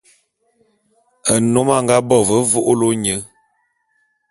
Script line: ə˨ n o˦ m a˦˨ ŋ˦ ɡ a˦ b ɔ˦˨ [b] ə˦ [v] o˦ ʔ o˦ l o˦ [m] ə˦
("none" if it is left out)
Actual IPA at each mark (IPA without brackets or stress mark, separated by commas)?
v, v, ɲ